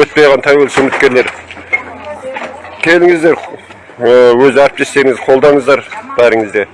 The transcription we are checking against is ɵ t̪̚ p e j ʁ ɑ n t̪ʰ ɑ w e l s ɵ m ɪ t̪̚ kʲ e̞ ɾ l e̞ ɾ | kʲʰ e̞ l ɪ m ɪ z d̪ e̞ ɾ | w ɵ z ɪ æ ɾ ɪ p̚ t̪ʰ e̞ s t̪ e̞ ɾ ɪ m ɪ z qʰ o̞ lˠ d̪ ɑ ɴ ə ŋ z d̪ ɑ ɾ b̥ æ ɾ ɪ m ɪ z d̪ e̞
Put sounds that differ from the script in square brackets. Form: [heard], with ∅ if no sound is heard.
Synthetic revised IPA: ɵ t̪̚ p e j ʁ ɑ n t̪ʰ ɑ w e l s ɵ m ɪ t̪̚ kʲ e̞ ɾ l e̞ ɾ | kʲʰ e̞ l ɪ [ŋ] ɪ z d̪ e̞ ɾ | w ɵ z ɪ æ ɾ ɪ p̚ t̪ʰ e̞ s t̪ e̞ ɾ ɪ [ŋ] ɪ z qʰ o̞ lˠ d̪ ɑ ɴ ə [∅] z d̪ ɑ ɾ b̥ æ ɾ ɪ [ŋ] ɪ z d̪ e̞